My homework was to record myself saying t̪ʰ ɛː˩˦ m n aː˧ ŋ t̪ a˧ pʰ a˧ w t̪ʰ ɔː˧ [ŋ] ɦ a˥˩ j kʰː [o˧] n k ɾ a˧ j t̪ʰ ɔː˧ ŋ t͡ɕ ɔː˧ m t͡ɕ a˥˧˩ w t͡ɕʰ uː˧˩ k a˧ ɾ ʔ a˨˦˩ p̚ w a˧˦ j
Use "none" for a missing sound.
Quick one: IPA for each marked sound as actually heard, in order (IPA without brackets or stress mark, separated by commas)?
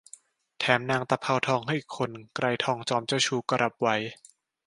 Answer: ŋ, o˧